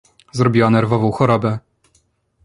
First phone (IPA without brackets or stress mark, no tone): z